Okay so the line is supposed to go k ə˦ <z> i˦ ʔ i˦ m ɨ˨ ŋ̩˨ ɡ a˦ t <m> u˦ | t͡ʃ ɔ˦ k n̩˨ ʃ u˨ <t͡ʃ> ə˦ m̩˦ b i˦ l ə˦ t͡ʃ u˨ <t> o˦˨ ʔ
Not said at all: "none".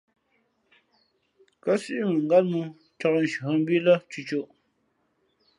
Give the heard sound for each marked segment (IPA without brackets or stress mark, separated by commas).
s, m, none, t͡ʃ